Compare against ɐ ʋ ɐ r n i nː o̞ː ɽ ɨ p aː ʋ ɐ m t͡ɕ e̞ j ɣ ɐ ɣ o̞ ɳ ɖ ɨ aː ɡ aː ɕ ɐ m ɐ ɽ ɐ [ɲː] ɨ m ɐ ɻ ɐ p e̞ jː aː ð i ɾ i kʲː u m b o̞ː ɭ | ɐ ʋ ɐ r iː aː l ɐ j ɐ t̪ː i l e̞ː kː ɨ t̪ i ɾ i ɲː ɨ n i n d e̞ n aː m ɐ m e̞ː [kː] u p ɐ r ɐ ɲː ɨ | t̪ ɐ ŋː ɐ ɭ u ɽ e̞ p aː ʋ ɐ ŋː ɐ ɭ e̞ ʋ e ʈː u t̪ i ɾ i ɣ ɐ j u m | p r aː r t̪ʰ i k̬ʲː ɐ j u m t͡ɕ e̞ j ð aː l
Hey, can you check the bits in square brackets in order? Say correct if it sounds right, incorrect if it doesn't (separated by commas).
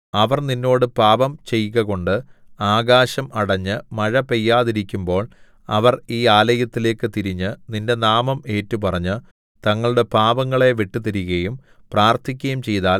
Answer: correct, incorrect